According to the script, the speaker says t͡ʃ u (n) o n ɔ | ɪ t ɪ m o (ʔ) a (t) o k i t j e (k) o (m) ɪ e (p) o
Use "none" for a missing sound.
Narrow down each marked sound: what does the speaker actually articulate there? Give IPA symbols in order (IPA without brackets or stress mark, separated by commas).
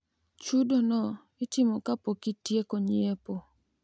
d, k, p, k, ɲ, p